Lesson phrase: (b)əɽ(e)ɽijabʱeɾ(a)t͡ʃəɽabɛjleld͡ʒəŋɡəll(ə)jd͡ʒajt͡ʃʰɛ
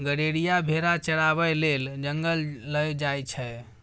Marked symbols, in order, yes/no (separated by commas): no, yes, yes, yes